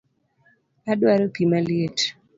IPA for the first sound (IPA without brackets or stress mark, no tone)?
a